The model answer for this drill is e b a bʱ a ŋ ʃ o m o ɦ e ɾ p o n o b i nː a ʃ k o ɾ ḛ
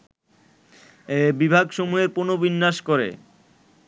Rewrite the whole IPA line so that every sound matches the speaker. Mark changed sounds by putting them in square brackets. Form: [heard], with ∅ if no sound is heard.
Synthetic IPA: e b [i] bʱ a [ɡ] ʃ o m [u] ɦ e ɾ p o n o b i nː a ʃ k o ɾ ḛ